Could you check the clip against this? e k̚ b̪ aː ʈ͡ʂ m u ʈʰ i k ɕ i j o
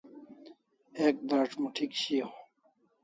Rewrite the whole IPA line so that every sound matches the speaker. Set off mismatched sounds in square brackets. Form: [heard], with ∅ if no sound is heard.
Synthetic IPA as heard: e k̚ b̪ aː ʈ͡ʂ m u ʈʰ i k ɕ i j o